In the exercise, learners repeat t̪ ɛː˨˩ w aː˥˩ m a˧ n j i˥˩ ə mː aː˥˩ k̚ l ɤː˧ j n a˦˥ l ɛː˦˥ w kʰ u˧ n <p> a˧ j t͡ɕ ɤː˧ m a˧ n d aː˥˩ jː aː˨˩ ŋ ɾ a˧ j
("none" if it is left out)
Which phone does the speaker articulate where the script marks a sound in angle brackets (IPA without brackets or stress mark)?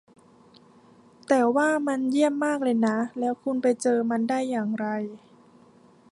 p